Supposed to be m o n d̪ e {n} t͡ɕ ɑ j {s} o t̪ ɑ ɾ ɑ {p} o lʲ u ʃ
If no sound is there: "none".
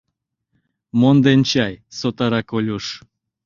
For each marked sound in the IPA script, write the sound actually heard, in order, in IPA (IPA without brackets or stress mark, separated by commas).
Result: n, s, k